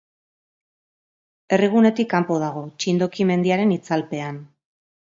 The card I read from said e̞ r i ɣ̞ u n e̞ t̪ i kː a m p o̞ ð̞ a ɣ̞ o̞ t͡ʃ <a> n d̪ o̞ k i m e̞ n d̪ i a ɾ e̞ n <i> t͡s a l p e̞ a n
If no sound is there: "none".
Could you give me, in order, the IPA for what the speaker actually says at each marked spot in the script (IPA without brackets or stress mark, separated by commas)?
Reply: i, i